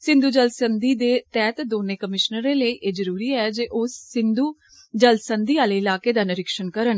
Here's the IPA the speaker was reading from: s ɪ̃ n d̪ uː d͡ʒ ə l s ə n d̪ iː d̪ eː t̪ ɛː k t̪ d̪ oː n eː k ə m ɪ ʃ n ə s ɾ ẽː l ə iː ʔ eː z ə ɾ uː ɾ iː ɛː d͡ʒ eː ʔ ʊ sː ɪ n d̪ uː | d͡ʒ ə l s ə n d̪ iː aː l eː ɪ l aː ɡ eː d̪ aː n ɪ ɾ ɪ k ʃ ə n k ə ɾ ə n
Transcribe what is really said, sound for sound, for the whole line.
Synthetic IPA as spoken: s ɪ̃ n d̪ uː d͡ʒ ə l s ə n d̪ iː d̪ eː t̪ ɛː t̪ d̪ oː n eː k ə m ɪ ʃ n ə ɾ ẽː l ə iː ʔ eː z ə ɾ uː ɾ iː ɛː d͡ʒ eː ʔ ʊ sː ɪ n d̪ uː | d͡ʒ ə l s ə n d̪ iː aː l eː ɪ l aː k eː d̪ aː n ɪ ɾ ɪ k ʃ ə n k ə ɾ ə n